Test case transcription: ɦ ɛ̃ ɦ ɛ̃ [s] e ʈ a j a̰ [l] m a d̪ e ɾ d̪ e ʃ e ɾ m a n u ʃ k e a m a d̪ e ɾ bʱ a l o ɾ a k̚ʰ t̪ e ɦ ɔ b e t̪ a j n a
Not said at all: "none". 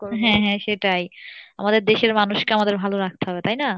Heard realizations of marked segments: ʃ, none

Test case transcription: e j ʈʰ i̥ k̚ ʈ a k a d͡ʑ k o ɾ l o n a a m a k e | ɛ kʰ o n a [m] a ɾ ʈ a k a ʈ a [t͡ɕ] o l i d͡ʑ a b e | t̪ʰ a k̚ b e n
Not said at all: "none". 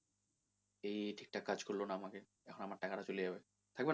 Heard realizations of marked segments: m, t͡ɕ

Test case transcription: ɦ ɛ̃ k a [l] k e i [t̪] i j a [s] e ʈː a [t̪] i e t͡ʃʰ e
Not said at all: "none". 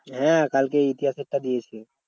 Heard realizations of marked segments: l, t̪, s, d̪

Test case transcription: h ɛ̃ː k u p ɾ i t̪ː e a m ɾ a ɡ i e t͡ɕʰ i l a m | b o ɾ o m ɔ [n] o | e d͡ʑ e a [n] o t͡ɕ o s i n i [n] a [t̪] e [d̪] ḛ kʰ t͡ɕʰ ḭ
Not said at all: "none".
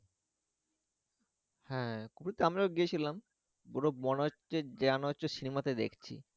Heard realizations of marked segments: n, n, m, t̪, d̪

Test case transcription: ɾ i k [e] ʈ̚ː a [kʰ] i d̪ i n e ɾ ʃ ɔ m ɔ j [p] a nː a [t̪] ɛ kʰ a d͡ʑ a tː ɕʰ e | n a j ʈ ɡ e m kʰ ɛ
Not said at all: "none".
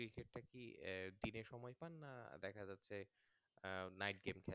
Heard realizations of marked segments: e, k, p, d̪

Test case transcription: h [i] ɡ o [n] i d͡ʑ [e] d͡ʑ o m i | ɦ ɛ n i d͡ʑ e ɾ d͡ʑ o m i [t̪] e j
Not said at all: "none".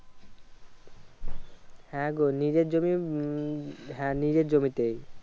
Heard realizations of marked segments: ɛ, n, e, t̪

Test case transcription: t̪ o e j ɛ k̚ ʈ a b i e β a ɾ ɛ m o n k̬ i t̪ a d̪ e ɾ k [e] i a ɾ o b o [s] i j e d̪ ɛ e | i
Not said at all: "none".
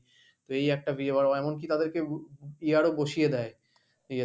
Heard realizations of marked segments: e, ʃ

